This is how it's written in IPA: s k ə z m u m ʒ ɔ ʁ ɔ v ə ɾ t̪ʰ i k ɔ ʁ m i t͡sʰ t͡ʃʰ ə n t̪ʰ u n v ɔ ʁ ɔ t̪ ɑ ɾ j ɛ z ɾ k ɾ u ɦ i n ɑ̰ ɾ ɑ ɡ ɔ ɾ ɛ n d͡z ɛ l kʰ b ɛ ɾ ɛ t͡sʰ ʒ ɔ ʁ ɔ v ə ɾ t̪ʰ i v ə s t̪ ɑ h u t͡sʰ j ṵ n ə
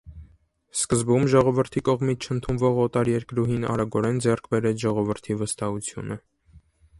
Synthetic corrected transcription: s k ə z b u m ʒ ɔ ʁ ɔ v ə ɾ t̪ʰ i k ɔ ʁ m i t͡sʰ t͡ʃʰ ə n t̪ʰ u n v ɔ ʁ ɔ t̪ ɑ ɾ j ɛ ɾ k ɾ u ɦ i n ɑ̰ ɾ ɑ ɡ ɔ ɾ ɛ n d͡z ɛ r kʰ b ɛ ɾ ɛ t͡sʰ ʒ ɔ ʁ ɔ v ə ɾ t̪ʰ i v ə s t̪ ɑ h u t͡sʰ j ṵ n ə